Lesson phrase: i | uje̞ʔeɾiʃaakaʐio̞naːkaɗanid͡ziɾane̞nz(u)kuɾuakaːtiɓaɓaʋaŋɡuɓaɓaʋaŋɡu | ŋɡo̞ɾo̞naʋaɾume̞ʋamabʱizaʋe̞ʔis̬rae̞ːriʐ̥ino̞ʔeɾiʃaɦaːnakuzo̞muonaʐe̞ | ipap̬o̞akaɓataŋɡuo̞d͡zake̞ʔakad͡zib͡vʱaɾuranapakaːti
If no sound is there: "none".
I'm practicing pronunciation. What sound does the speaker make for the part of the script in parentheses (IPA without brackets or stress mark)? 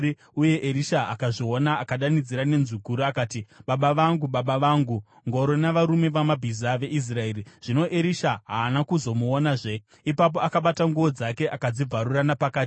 u